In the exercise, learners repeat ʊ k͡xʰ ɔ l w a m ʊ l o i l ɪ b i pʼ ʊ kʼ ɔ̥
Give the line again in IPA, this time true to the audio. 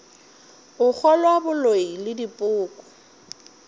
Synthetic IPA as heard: ʊ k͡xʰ ɔ l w a b ʊ l o i l ɪ d i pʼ ʊː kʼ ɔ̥

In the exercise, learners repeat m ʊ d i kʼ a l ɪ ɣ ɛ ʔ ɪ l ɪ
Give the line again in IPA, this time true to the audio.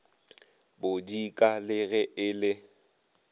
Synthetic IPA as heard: b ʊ d i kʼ a l ɪ ɣ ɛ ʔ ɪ l ɪ

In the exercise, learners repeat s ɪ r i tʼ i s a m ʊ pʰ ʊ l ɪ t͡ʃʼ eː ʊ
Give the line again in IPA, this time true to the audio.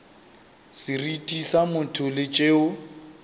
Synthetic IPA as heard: s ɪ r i tʼ i s a m ʊ tʰ ʊ l ɪ t͡ʃʼ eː ʊ

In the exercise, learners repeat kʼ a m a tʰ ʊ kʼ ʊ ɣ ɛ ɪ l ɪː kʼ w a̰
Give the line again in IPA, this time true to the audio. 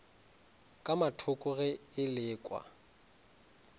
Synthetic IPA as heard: kʼ a m a tʰ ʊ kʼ ʊ ɣ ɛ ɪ l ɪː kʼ w a̰

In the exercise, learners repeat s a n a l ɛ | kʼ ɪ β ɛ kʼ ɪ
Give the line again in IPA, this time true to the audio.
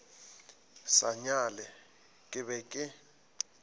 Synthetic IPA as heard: s a ɲ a l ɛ | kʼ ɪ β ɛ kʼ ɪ

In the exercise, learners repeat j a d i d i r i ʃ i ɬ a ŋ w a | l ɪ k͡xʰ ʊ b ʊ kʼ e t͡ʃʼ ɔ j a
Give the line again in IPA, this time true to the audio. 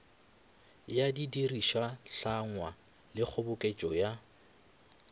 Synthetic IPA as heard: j a d i d i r i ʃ a ɬ a ŋ w a | l ɪ k͡xʰ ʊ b ʊ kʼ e t͡ʃʼ ɔ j a

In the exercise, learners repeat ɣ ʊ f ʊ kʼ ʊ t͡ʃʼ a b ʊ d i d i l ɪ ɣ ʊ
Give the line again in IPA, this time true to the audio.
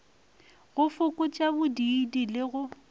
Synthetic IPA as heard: ɣ ʊ f ʊ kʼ ʊ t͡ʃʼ a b ʊ d i d i l ɪ ɣ ʊ

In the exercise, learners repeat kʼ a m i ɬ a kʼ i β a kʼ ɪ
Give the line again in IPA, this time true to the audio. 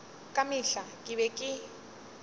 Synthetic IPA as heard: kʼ a m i ɬ a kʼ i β ɛ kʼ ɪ

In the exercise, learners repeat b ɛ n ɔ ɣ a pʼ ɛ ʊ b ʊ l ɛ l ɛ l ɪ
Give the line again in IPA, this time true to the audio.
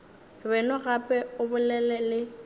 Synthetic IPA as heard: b ɛ n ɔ ɣ a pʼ ɛ ʊ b ʊ l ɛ l ɛ l ɪ

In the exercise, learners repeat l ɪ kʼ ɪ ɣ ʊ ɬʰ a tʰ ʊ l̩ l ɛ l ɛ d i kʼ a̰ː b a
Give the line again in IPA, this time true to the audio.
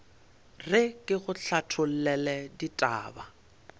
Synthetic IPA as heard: r ɪ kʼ ɪ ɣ ʊ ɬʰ a tʰ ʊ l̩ l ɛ l ɛ d i tʼ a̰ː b a

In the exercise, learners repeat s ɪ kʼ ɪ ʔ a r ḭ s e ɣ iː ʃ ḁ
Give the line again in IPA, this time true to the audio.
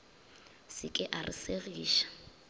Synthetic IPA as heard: s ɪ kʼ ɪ ʔ a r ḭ s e ɣ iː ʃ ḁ

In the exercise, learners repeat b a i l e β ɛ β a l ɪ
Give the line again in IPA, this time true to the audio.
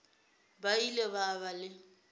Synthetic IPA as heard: b a i l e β a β a l ɪ

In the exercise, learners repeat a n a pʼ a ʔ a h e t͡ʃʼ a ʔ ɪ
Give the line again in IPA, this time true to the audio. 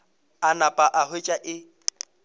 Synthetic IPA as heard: a n a pʼ a ʔ a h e t͡ʃʼ a ʔ ɪ

